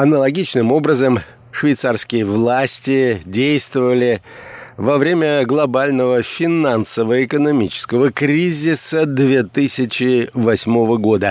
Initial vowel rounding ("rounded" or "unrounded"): unrounded